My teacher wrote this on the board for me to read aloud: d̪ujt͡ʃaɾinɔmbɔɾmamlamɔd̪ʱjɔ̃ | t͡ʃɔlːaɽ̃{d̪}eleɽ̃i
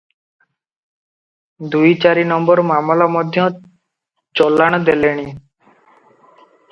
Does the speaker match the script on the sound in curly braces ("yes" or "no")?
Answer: yes